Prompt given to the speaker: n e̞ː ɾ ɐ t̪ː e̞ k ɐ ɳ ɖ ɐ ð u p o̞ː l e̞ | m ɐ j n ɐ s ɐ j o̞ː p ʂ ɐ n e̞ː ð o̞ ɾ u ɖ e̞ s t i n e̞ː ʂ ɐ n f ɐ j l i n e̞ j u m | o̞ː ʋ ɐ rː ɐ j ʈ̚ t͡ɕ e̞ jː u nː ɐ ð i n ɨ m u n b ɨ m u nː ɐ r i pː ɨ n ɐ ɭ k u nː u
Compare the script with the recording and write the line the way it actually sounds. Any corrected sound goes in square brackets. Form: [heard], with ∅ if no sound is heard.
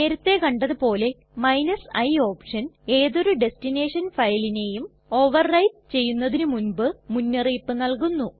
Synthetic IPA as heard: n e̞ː ɾ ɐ t̪ː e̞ k ɐ ɳ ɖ ɐ ð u p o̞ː l e̞ | m ɐ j n ɐ s ɐ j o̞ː p ʂ ɐ n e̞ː ð o̞ ɾ u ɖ e̞ s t i n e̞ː ʂ ɐ n f ɐ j l i n e̞ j u m | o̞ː ʋ ɐ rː ɐ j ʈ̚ t͡ɕ e̞ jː u nː ɐ ð i n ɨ m u n b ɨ m u nː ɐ r [iː] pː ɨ n ɐ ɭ k u nː u